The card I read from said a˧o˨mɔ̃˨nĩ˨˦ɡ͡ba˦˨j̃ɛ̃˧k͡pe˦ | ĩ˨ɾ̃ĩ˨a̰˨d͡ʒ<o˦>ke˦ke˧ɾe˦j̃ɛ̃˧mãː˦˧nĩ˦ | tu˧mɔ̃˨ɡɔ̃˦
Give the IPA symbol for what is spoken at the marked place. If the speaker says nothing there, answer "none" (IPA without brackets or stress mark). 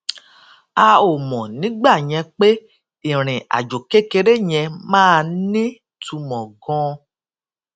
o˨